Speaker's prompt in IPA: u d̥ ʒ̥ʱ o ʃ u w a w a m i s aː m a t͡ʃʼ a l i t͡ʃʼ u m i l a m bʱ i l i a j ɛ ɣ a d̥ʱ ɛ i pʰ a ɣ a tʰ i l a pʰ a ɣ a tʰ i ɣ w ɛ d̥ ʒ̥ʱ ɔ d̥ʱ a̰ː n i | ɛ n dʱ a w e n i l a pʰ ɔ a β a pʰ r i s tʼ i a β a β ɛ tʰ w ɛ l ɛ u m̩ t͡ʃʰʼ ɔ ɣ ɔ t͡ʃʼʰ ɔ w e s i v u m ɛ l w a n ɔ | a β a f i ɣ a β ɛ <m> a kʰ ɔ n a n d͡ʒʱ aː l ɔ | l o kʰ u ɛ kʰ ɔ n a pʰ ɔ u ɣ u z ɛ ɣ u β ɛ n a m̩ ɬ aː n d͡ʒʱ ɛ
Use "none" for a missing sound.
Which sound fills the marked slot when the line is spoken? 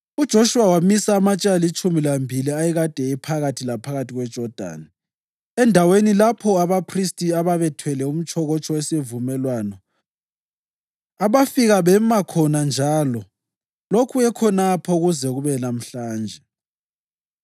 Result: m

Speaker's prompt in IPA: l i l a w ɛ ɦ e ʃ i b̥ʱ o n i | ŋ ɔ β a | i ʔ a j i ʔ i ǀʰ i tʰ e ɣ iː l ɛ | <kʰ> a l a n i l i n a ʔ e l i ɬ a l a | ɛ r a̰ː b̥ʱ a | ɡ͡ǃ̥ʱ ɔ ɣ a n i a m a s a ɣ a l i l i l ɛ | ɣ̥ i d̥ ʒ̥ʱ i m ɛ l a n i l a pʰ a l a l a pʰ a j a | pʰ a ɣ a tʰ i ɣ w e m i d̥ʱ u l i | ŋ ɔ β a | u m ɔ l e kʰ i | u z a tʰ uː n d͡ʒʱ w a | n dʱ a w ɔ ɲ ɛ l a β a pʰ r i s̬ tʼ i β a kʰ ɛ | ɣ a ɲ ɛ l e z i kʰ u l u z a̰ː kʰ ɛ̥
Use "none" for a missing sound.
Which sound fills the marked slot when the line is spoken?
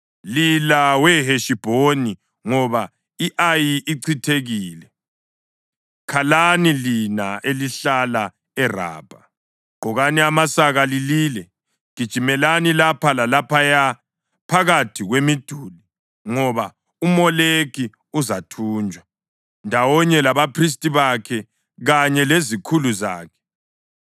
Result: kʰ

